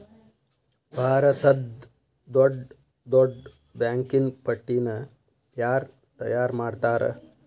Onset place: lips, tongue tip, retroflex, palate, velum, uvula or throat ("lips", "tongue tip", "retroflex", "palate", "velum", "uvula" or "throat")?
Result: lips